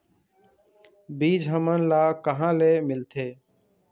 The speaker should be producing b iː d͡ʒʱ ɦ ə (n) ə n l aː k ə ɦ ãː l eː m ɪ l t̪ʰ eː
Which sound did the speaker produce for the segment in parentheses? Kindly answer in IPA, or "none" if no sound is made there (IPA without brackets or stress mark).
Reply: m